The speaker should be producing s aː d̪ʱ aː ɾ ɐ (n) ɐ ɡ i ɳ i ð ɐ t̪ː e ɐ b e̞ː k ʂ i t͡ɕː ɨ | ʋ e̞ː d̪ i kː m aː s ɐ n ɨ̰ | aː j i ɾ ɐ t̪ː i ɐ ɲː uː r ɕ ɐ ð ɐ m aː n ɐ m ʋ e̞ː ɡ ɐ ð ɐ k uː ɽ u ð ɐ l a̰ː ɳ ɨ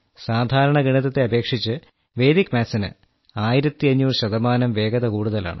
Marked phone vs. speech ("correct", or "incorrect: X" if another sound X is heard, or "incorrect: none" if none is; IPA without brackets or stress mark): incorrect: ɳ